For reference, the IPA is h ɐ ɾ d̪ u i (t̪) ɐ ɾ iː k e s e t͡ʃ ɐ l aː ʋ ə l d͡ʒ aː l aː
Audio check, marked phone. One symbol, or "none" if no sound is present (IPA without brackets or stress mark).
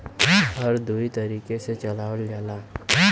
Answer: t̪